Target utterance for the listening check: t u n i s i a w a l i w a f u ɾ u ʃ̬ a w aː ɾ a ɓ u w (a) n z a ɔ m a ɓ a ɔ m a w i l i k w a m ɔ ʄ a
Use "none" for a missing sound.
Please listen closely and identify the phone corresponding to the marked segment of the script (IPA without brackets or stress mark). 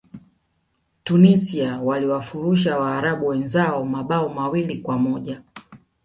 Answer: ɛ